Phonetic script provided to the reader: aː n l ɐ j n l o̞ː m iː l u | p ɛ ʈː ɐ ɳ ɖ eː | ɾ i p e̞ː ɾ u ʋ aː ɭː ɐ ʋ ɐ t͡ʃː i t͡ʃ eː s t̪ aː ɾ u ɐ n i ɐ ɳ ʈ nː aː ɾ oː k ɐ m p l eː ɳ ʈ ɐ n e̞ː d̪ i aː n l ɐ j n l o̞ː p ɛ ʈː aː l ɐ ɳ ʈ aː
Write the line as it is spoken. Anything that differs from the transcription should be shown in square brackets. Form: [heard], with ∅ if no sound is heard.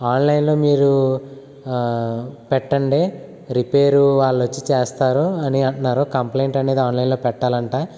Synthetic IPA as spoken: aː n l ɐ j n l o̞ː m iː [ɾ] u | p ɛ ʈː ɐ ɳ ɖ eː | ɾ i p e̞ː ɾ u ʋ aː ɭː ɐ ʋ ɐ t͡ʃː i t͡ʃ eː s t̪ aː ɾ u ɐ n i ɐ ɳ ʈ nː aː ɾ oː k ɐ m p l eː ɳ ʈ ɐ n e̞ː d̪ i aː n l ɐ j n l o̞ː p ɛ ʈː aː l ɐ ɳ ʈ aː